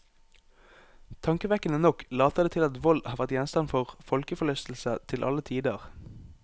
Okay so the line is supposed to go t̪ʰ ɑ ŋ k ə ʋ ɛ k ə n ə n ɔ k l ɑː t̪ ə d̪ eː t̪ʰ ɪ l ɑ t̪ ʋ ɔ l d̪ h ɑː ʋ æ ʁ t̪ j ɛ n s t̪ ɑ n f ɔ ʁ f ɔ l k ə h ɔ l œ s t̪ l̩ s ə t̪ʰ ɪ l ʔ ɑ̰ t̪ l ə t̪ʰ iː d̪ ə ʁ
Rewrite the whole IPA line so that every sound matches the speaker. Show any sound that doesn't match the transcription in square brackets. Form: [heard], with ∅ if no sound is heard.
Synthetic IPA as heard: t̪ʰ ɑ ŋ k ə ʋ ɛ k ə n ə n ɔ k l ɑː t̪ ə d̪ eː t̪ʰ ɪ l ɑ t̪ ʋ ɔ l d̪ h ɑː ʋ æ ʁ t̪ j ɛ n s t̪ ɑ n f ɔ ʁ f ɔ l k ə [f] ɔ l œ s t̪ l̩ s ə t̪ʰ ɪ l ʔ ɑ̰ [∅] l ə t̪ʰ iː d̪ ə ʁ